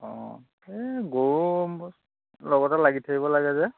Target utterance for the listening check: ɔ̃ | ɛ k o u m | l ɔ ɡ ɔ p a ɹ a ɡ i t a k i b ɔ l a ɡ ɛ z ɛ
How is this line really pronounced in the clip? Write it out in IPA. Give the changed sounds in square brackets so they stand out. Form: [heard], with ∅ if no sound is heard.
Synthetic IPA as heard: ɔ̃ | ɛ [ɡ] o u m | l ɔ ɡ ɔ [t] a [l] a ɡ i [tʰ] a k i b ɔ l a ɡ ɛ z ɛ